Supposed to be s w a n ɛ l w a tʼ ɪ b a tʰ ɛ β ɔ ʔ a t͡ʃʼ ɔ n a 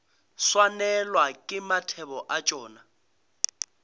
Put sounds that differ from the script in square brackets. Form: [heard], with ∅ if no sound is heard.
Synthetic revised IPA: s w a n ɛ l w a [kʼ] ɪ [m] a tʰ ɛ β ɔ ʔ a t͡ʃʼ [ɔː] n a